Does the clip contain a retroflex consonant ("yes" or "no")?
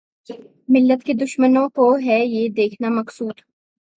no